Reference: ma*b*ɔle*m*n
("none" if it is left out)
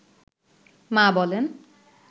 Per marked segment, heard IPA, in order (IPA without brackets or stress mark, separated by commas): b, none